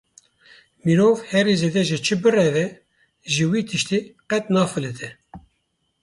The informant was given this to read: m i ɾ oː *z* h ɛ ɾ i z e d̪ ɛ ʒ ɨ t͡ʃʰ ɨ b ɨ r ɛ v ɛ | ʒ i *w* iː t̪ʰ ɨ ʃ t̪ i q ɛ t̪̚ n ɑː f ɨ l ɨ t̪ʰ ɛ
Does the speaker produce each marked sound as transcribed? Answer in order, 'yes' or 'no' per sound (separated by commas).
no, yes